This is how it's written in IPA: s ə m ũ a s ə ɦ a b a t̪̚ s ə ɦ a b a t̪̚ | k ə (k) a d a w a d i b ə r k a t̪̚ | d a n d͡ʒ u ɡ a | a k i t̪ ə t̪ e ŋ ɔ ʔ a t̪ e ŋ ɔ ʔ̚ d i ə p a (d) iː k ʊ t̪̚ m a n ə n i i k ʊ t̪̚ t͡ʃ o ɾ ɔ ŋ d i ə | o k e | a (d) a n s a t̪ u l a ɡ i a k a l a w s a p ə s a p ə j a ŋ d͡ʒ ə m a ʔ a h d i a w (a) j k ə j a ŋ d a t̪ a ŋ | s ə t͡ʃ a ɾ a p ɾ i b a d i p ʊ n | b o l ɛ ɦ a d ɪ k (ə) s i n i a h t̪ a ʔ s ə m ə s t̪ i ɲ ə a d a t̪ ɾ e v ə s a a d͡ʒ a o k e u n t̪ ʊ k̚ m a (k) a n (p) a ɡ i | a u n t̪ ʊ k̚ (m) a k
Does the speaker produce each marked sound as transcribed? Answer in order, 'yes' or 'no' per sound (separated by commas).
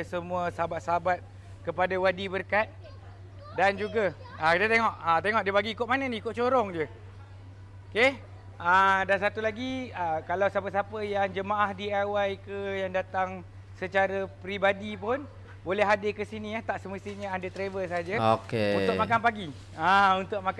no, no, yes, yes, yes, yes, yes, yes